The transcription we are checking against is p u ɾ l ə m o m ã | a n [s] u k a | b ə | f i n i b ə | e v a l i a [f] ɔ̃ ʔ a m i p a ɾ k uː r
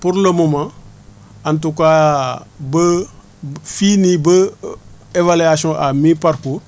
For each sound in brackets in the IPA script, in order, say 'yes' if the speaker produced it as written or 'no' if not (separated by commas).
no, no